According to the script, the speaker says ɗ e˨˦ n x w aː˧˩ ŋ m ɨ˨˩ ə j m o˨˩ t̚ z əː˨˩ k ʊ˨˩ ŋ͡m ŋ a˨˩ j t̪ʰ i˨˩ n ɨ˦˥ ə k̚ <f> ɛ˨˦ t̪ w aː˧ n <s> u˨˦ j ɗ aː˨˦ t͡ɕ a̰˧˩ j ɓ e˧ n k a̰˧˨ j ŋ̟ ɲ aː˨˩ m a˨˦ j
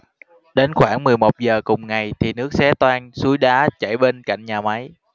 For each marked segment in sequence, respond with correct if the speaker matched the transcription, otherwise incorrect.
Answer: incorrect, correct

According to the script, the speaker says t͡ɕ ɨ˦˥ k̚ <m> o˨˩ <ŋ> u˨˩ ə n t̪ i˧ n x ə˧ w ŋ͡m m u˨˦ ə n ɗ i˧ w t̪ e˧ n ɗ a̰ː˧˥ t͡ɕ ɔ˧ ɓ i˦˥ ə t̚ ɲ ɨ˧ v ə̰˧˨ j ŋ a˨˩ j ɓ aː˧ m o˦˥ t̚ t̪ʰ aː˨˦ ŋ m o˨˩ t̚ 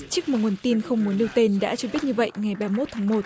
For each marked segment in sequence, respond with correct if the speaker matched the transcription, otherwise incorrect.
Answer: correct, correct

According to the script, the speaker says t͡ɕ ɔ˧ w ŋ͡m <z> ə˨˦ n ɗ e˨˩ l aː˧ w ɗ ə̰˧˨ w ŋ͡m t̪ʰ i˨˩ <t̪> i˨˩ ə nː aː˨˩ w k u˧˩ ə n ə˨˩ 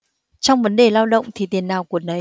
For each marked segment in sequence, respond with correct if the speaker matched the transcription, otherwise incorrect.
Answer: incorrect, correct

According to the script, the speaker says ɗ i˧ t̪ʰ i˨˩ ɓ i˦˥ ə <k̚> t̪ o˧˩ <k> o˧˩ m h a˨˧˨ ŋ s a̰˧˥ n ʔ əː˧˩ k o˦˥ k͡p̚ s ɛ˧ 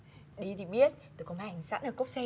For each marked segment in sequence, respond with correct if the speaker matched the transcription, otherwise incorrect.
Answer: incorrect, correct

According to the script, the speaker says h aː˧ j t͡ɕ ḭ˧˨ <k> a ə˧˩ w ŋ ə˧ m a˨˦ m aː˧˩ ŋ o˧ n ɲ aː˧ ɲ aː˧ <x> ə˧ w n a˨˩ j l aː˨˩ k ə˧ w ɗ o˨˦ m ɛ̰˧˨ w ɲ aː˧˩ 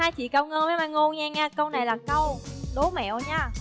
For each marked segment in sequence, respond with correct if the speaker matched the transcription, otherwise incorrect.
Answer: correct, incorrect

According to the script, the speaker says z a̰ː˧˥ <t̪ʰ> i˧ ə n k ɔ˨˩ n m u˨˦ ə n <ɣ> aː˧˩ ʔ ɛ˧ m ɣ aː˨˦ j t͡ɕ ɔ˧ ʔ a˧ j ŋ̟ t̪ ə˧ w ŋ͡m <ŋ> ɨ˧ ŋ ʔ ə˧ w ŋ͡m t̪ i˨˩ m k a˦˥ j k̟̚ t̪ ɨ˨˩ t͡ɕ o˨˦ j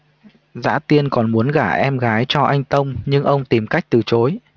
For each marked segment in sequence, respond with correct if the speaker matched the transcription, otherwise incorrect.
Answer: incorrect, correct, incorrect

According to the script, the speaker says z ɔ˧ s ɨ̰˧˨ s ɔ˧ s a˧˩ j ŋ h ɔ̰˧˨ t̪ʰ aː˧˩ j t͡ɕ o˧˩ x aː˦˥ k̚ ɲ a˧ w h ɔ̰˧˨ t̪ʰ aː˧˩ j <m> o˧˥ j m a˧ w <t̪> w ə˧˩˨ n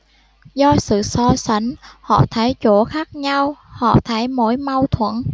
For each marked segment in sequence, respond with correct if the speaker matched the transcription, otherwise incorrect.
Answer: correct, incorrect

